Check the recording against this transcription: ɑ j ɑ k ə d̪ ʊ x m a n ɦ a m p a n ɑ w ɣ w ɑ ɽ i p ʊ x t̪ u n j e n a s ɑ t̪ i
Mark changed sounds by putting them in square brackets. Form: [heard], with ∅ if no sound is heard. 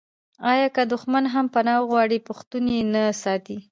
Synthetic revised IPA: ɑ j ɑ k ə d̪ ʊ x m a n ɦ a m p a n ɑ w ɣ w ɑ ɽ i p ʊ x t̪ u n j e n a s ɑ t̪ i